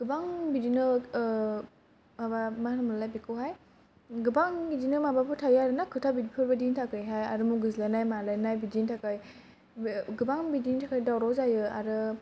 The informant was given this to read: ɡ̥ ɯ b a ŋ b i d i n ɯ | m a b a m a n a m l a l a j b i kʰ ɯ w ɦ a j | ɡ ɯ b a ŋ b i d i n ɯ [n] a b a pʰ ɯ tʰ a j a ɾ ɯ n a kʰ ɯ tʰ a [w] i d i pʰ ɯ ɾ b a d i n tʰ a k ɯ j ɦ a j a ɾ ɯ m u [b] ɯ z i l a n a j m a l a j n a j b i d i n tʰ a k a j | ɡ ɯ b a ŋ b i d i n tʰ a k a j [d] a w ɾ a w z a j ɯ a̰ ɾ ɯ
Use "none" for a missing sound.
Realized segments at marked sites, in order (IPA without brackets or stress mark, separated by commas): m, b, ɡ, d